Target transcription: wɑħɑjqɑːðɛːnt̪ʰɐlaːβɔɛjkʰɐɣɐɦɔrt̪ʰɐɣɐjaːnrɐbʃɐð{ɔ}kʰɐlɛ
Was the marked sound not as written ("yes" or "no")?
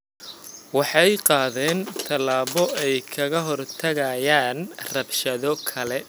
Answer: no